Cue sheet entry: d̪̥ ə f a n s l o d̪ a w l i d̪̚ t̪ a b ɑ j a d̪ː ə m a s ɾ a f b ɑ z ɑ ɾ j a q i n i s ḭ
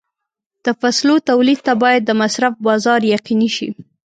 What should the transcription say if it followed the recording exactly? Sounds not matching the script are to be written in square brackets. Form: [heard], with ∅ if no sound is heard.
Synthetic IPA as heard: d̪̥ ə f a [∅] s l o [t̪] a w l i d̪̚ t̪ a b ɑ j a d̪ː ə m a s ɾ a f b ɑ z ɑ ɾ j a q i n i [ʃ] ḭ

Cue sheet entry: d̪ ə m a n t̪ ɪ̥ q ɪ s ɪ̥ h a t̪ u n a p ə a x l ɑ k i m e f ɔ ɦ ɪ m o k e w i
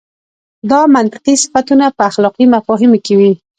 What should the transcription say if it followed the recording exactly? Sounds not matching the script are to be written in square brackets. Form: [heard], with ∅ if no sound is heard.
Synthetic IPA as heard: d̪ [ɑ] m a n t̪ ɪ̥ q [i] s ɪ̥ [f] a t̪ u n a p ə a x l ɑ [q] i m [a] f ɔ ɦ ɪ m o k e w i

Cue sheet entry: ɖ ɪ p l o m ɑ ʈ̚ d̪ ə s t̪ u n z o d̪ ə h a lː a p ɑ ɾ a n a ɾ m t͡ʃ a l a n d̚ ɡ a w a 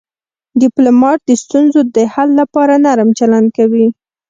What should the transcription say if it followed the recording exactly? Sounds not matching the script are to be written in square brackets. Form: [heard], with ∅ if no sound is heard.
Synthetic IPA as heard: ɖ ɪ p l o m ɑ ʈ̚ d̪ ə s t̪ u n z o d̪ ə h a lː a p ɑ ɾ a n a ɾ m t͡ʃ a l a n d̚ [k] a w [i]

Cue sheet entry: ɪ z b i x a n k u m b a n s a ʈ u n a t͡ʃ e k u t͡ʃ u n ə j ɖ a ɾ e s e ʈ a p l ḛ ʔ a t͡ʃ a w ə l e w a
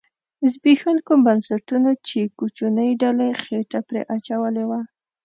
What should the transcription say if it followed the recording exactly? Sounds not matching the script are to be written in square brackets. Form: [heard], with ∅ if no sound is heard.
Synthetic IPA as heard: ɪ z b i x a n k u m b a n s a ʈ u n a t͡ʃ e k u t͡ʃ u n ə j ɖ a [l] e [x] e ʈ a p [ɾ] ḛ ʔ a t͡ʃ a w ə l e w a

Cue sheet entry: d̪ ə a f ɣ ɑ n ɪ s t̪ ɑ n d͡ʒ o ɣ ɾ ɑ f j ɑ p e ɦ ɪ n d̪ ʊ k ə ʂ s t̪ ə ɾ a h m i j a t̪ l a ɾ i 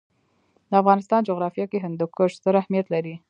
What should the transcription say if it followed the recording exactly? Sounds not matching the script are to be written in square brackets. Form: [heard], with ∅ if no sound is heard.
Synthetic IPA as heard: d̪ ə a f ɣ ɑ n ɪ s t̪ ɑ n d͡ʒ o ɣ ɾ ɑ f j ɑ [k] e ɦ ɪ n d̪ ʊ k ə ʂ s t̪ ə ɾ a h m i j a t̪ l a ɾ i

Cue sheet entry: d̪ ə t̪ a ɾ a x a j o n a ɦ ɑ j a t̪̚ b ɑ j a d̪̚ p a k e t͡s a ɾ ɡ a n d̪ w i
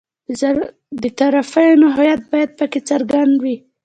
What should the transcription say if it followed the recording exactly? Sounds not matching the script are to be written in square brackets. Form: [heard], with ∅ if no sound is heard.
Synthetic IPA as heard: d̪ ə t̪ a ɾ a [f] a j o n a ɦ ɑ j a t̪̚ b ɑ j a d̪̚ p [ə] k e t͡s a ɾ ɡ a n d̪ w i

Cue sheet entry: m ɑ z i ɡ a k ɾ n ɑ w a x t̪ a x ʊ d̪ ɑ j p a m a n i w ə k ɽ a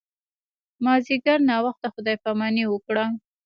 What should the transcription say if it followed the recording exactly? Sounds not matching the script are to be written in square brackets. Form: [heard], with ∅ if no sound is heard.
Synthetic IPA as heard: m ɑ z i ɡ a [∅] ɾ n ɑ w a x t̪ a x ʊ d̪ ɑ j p a m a n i w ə k ɽ a

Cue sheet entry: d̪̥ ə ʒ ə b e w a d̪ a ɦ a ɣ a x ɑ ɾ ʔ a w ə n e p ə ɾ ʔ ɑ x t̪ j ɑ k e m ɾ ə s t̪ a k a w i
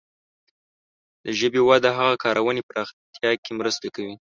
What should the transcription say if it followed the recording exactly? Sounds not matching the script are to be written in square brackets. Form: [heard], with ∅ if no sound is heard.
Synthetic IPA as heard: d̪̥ ə ʒ ə b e w a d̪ a ɦ a ɣ a [k] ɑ ɾ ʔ a w ə n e p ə ɾ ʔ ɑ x t̪ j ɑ k e m ɾ ə s t̪ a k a w i

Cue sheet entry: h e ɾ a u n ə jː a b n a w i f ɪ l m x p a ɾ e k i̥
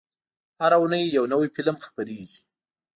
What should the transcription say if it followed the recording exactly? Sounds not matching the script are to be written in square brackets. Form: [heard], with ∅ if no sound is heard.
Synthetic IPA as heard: h [a] ɾ a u n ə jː a [w] n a w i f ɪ l m x p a ɾ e [ɡ] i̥

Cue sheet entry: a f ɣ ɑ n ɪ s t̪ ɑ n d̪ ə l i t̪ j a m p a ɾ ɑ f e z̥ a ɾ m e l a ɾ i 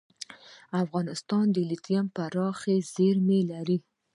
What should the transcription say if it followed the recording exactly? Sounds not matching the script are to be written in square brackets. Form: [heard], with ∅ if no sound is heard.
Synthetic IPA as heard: a f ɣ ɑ n ɪ s t̪ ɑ n d̪ ə l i t̪ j a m p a ɾ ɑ [x] e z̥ [e] ɾ m e l a ɾ i

